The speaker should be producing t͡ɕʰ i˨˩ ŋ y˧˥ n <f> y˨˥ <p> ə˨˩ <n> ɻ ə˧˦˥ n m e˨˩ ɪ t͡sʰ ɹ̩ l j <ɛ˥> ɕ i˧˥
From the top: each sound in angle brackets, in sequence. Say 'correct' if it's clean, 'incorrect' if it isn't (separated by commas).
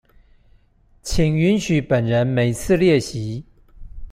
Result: incorrect, correct, correct, incorrect